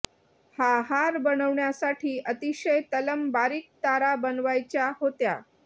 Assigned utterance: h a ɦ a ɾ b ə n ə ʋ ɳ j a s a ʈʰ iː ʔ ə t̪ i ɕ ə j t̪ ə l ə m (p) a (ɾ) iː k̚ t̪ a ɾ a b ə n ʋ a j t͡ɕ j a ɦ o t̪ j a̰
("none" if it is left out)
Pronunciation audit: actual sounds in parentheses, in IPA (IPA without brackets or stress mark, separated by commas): b, ɾ